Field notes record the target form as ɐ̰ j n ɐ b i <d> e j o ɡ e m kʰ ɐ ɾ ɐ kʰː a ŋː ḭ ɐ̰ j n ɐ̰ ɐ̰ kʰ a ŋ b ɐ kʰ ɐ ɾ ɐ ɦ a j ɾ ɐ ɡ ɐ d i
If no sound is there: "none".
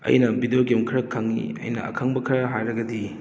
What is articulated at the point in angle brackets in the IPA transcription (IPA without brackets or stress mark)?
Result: d